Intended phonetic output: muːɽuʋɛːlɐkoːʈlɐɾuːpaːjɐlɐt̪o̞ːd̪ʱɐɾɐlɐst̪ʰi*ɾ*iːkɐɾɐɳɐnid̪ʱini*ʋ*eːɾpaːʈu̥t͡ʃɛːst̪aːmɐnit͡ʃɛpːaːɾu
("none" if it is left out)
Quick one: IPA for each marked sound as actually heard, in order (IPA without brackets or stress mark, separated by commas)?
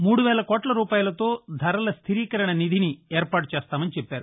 ɾ, none